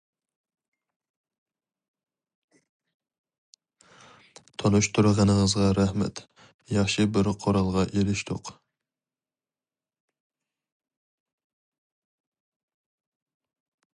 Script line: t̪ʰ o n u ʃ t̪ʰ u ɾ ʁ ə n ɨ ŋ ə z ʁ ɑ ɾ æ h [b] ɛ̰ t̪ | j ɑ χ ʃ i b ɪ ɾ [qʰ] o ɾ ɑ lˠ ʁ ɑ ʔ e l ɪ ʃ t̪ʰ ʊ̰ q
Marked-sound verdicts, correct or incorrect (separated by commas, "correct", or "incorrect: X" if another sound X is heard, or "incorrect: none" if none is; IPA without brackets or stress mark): incorrect: m, correct